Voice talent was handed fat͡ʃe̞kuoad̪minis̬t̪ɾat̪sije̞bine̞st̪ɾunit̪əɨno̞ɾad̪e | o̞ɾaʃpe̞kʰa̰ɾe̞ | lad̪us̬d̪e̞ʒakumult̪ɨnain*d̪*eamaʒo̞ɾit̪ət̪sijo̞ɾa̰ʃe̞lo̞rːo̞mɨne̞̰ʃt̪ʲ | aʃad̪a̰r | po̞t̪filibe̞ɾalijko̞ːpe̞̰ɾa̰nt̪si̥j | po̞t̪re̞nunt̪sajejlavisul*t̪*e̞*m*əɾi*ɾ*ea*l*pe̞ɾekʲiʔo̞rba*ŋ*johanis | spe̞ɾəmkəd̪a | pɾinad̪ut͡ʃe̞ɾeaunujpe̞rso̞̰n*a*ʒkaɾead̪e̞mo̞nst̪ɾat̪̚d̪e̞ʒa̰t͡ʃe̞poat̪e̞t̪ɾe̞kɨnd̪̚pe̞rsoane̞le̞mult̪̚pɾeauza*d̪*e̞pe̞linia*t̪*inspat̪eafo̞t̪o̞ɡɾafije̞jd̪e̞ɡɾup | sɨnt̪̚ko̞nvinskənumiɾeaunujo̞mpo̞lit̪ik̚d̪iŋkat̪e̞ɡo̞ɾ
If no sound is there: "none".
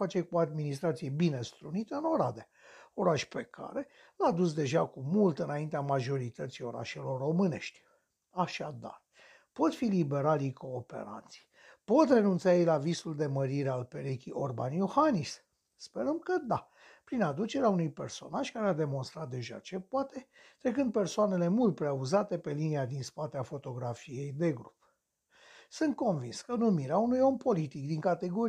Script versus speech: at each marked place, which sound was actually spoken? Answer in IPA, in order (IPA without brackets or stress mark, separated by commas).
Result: t̪, d̪, m, ɾ, l, n, a, t̪, d̪